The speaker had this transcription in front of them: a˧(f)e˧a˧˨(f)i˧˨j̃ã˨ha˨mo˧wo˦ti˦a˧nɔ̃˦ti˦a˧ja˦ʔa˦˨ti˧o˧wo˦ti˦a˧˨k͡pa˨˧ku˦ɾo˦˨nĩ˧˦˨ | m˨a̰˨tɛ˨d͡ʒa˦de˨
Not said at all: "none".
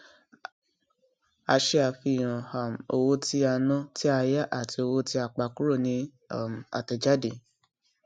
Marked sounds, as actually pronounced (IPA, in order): ʃ, f

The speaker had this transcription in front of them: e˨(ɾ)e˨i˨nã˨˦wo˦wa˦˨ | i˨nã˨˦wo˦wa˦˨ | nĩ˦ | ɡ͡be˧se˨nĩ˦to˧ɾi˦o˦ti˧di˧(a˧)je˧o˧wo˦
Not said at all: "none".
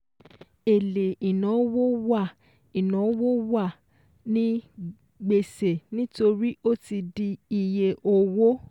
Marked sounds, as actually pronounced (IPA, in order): l, i˧

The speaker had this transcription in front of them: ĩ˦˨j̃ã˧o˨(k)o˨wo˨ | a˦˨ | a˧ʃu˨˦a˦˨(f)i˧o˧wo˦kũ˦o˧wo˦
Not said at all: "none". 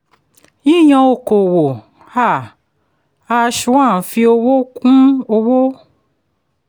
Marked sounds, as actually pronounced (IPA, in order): k, f

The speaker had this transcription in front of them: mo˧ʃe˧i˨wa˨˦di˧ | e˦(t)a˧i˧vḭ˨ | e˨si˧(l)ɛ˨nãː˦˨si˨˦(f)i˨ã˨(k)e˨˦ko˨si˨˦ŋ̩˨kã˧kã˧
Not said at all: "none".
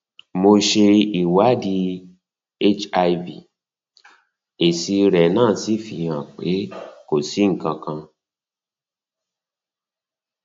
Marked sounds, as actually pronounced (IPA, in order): t͡ʃ, ɾ, f, k͡p

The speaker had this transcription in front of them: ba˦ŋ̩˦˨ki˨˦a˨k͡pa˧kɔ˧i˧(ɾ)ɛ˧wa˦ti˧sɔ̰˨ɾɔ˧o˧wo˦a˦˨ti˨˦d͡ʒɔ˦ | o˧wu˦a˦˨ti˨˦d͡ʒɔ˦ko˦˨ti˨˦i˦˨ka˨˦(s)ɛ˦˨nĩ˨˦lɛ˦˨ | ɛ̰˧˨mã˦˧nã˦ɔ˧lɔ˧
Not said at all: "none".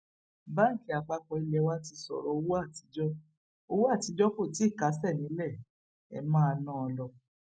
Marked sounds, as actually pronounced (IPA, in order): l, s

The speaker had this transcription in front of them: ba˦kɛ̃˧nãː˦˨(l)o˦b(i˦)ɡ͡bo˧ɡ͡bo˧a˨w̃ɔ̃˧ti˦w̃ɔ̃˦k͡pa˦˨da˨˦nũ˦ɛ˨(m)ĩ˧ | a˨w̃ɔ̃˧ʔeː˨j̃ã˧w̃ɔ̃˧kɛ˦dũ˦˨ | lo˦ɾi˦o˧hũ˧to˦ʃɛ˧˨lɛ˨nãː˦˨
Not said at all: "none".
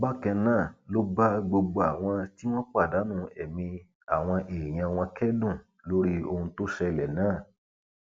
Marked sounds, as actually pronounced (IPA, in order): l, a˦, m

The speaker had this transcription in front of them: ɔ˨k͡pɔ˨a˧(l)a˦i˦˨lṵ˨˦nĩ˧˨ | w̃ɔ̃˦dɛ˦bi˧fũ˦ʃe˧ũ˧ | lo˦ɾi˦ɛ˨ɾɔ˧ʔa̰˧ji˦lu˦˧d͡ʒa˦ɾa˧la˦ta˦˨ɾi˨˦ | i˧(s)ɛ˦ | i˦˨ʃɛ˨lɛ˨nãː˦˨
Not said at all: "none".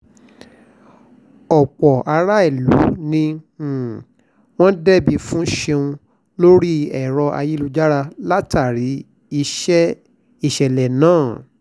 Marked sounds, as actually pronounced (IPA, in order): ɾ, ʃ

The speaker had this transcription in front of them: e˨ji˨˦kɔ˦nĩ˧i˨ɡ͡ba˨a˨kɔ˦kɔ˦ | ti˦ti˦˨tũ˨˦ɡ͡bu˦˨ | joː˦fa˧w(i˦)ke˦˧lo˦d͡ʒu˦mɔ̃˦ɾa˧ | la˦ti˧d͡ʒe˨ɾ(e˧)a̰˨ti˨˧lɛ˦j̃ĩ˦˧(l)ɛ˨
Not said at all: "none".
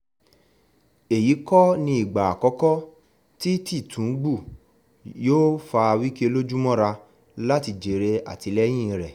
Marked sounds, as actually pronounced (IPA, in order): i˦, e˧, ɾ

